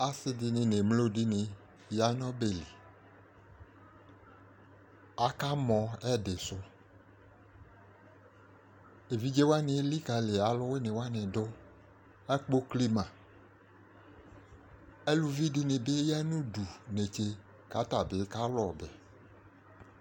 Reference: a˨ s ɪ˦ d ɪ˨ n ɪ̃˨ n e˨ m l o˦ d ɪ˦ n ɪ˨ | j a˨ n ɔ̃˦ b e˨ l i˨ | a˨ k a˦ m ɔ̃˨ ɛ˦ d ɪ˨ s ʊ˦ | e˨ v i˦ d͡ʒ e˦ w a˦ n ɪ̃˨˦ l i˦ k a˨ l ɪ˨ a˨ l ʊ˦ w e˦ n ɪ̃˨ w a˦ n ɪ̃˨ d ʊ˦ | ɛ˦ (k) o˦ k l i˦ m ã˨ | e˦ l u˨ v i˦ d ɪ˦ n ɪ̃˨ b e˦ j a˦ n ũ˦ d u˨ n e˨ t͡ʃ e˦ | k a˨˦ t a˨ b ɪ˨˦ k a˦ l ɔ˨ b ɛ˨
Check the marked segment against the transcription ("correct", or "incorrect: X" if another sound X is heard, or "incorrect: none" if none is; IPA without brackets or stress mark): incorrect: k͡p